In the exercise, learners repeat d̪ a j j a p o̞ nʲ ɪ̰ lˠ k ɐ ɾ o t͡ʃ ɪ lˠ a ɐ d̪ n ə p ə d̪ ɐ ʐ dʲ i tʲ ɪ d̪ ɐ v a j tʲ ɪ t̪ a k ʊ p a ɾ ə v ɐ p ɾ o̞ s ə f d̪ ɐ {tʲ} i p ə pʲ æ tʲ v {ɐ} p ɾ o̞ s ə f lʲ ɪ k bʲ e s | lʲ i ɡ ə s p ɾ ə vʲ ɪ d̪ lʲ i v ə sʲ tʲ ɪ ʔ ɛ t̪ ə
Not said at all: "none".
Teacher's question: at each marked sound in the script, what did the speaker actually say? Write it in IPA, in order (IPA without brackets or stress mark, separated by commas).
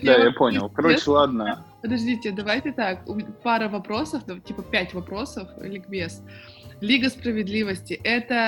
tʲ, ɐ